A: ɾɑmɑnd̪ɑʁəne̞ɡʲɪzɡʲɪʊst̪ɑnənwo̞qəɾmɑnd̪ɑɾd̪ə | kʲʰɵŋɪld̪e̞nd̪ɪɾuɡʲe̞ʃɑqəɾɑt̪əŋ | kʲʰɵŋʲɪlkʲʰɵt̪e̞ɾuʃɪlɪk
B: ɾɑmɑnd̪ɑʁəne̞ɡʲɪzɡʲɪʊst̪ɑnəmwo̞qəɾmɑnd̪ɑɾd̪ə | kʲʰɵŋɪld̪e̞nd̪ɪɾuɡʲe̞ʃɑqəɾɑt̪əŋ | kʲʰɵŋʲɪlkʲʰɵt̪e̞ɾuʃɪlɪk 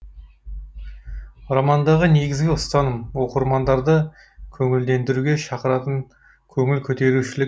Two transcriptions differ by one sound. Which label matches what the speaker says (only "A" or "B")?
B